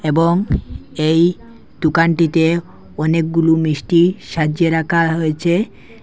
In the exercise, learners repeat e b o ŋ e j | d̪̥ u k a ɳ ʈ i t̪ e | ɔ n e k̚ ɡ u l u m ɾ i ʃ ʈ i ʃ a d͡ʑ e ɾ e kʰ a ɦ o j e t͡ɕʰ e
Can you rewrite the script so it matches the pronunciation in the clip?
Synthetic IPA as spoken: e b o ŋ e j | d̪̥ u k a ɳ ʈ i t̪ e | ɔ n e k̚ ɡ u l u m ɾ i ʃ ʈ i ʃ a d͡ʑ e ɾ a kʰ a ɦ o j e t͡ɕʰ e